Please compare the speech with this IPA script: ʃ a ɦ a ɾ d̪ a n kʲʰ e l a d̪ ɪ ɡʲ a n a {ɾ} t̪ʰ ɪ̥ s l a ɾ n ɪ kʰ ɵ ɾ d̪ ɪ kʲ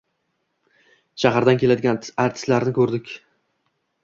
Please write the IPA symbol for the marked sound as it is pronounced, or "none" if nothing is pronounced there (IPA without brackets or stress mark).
ɾ